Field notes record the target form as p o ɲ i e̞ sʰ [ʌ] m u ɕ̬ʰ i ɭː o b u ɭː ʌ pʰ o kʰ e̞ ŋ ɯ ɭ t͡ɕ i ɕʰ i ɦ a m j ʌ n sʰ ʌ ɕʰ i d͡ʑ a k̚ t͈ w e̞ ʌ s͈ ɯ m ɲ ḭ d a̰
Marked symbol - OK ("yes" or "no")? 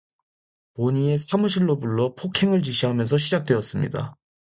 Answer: no